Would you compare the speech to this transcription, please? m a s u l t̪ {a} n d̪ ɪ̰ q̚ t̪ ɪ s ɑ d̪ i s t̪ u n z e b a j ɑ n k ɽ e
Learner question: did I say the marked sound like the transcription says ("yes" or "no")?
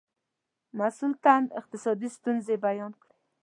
yes